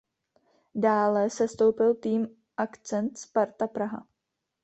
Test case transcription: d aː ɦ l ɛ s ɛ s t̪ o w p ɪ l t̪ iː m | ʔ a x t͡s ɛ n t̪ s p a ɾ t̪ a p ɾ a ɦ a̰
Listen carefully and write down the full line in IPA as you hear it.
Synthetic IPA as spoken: d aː l ɛ s ɛ s t̪ o w p ɪ l t̪ iː m | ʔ a k t͡s ɛ n t̪ s p a ɾ t̪ a p ɾ a ɦ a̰

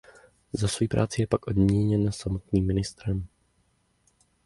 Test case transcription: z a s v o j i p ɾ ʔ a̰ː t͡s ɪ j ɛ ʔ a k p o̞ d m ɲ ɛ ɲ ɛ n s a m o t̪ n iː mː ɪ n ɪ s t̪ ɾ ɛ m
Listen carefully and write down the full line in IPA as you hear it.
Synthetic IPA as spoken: z a s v o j i p ɾ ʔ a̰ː t͡s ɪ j ɛ p a k ʔ o̞ d m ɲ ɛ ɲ ɛ n s a m o t̪ n iː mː ɪ n ɪ s t̪ ɾ ɛ m

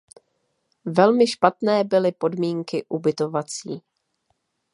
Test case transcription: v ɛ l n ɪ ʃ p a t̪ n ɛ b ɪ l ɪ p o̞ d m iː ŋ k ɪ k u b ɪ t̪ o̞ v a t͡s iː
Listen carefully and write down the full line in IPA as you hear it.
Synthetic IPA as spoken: v ɛ l m ɪ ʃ p a t̪ n ɛː b ɪ l ɪ p o̞ d m iː ŋ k ɪ ʔ u b ɪ t̪ o̞ v a t͡s iː

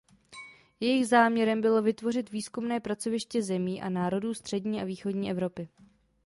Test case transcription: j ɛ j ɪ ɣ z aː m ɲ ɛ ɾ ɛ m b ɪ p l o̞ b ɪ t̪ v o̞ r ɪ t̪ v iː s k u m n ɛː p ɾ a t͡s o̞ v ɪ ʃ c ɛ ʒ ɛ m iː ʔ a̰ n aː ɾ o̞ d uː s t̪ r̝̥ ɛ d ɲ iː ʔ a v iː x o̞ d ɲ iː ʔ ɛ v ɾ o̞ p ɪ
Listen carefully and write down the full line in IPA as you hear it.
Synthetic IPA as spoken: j ɛ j ɪ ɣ z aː m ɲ ɛ ɾ ɛ m b ɪ l o̞ v ɪ t̪ v o̞ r ɪ t̪ v iː s k u m n ɛː p ɾ a t͡s o̞ v ɪ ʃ c ɛ z ɛ m iː ʔ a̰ n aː ɾ o̞ d uː s t̪ r̝̥ ɛ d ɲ iː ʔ a v iː x o̞ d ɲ iː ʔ ɛ v ɾ o̞ p ɪ

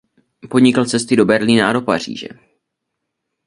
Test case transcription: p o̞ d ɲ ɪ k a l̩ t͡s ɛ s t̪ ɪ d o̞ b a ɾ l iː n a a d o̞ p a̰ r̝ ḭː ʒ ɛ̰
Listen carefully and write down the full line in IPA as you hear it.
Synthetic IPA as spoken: p o̞ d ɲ ɪ k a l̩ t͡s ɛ s t̪ ɪ d o̞ b ɛ ɾ l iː n a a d o̞ p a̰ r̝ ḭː ʒ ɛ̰

